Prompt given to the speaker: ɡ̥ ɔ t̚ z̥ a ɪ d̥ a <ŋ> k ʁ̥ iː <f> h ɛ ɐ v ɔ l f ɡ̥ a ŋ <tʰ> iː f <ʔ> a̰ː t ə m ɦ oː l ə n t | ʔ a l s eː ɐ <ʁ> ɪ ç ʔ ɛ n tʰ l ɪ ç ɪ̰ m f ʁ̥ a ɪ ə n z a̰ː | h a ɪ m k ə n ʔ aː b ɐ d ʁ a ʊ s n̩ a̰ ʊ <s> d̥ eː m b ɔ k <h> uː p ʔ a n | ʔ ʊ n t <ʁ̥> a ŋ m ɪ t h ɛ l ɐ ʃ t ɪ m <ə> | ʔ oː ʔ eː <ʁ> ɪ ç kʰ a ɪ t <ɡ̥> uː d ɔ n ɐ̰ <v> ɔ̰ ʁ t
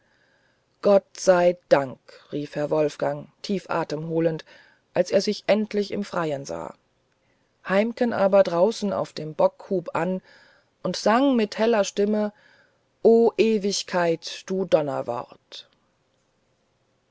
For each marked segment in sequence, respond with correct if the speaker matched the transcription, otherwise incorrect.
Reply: correct, correct, correct, correct, incorrect: z, incorrect: f, correct, incorrect: z̥, correct, incorrect: v, incorrect: d̥, correct

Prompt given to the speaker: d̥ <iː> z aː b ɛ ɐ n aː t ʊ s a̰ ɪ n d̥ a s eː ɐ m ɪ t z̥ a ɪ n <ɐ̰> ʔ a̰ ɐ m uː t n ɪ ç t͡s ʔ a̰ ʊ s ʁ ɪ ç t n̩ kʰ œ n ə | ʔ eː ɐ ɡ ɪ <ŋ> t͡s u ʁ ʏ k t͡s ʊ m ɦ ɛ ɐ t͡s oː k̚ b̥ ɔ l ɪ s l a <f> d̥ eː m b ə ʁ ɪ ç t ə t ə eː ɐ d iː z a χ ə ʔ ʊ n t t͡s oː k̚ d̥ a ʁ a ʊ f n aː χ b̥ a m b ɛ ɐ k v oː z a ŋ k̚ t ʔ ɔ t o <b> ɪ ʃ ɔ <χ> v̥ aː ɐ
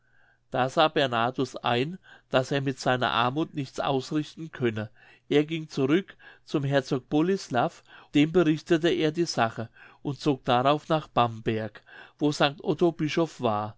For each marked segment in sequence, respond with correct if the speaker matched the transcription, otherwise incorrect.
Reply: incorrect: aː, correct, correct, correct, correct, incorrect: f

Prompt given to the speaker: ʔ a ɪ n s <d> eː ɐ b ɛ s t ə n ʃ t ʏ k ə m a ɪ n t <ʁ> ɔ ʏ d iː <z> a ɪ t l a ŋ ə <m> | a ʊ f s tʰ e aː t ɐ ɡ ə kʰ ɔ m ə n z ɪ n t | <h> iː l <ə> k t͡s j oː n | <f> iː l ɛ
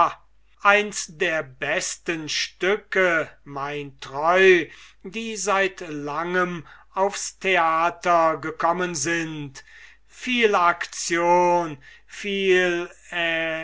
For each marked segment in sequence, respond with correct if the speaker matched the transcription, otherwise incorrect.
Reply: correct, correct, correct, correct, incorrect: f, incorrect: a, correct

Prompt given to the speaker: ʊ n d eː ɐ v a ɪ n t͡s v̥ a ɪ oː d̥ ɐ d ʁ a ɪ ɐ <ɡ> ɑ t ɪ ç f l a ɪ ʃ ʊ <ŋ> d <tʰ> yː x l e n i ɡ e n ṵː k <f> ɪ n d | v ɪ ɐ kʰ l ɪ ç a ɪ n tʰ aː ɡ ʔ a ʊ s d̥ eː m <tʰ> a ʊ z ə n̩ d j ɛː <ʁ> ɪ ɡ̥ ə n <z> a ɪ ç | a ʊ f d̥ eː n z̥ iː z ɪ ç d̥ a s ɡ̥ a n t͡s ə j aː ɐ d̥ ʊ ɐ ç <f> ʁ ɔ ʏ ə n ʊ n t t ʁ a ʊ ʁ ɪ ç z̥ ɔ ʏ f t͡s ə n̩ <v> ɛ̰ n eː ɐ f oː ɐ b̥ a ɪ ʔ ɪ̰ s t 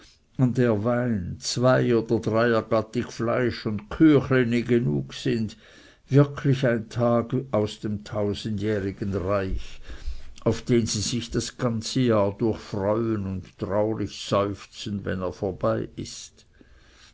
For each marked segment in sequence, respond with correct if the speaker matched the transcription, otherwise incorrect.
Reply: correct, incorrect: n, incorrect: kʰ, incorrect: s, correct, correct, incorrect: ʁ, correct, correct

